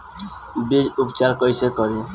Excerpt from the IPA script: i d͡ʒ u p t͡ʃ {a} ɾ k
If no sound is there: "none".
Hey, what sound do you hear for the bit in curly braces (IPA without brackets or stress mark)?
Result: a